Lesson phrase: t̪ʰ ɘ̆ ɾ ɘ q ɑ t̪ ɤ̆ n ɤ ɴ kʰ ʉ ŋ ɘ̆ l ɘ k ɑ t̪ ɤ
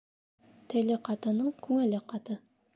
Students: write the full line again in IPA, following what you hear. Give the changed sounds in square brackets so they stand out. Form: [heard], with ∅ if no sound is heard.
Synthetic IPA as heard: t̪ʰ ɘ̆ [l] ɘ q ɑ t̪ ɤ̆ n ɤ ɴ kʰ ʉ ŋ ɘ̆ l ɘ [q] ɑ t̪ ɤ